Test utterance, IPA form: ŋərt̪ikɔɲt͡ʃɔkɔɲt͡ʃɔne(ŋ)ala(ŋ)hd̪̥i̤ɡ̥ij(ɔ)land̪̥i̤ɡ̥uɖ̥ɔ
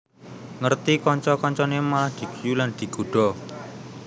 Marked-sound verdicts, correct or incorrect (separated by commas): incorrect, incorrect, incorrect